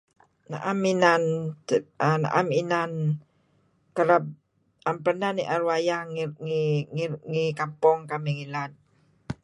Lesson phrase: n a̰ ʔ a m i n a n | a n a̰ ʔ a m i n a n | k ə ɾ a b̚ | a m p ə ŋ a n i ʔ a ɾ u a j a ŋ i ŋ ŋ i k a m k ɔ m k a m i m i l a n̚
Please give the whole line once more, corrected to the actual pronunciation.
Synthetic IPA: n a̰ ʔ a m i n a n | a n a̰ ʔ a m i n a n | k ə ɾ a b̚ | a m p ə n a n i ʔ a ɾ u a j a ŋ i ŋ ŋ i k a m p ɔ ŋ k a m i ŋ i l a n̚